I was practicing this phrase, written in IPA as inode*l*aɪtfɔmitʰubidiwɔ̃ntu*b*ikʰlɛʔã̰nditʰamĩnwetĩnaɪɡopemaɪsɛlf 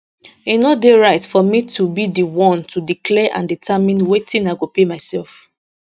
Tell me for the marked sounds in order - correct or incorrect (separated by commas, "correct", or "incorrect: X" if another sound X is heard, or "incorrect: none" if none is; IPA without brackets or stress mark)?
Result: incorrect: ɹ, incorrect: d